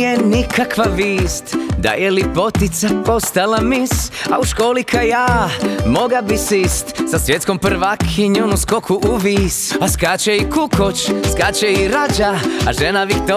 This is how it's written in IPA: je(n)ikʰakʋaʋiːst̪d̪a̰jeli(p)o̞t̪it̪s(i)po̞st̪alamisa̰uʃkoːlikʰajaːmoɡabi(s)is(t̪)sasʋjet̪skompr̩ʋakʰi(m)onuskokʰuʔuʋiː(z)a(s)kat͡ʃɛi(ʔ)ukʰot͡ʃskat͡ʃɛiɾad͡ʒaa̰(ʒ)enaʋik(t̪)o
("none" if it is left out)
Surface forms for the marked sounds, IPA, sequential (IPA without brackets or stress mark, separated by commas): n, p, a, s, t̪, ɲ, s, s, k, ʒ, t̪